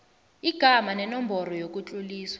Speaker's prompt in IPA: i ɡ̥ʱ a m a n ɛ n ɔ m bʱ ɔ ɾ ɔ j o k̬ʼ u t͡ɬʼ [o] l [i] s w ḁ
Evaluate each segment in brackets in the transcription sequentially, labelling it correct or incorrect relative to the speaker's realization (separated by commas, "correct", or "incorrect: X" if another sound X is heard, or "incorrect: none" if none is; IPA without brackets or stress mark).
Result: incorrect: u, incorrect: iː